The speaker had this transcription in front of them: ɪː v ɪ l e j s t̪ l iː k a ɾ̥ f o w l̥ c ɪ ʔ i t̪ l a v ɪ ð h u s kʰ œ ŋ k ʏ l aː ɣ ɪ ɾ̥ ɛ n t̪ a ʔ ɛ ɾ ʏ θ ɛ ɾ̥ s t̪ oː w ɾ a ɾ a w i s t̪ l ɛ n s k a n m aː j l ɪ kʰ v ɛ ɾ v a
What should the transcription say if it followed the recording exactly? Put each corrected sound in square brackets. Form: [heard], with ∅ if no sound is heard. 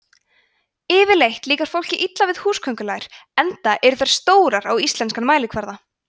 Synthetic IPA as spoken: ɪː v ɪ l e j [h] t̪ l iː k a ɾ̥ f o w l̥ c ɪ ʔ i t̪ l a v ɪ ð h [uː] s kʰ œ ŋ k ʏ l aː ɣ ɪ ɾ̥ ɛ n t̪ a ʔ ɛ ɾ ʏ θ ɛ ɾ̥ s t̪ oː w ɾ a ɾ a w i s t̪ l ɛ n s k a n m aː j l ɪ kʰ v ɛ ɾ [ð] a